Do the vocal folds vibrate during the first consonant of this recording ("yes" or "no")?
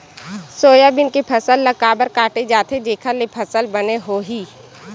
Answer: no